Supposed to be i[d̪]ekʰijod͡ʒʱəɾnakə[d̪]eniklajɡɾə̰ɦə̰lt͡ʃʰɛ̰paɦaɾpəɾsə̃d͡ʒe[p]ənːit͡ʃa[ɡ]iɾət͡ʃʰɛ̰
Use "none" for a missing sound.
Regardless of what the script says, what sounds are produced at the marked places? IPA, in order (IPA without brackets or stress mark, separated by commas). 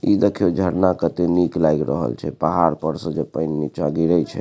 d̪, t̪, p, ɡ